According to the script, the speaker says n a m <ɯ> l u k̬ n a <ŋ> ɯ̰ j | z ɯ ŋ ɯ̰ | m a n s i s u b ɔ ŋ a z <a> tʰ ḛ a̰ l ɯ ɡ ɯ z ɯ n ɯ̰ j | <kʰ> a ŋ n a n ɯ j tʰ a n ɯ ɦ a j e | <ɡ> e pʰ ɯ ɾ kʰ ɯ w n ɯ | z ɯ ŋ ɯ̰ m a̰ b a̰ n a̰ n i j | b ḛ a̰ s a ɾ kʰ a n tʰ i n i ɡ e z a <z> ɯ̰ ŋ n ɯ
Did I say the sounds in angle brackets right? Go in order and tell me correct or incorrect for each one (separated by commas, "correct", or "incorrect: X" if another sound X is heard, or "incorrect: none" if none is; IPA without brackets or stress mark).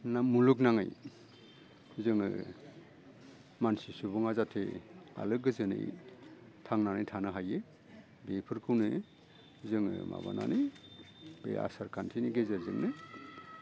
incorrect: u, correct, correct, incorrect: tʰ, incorrect: b, correct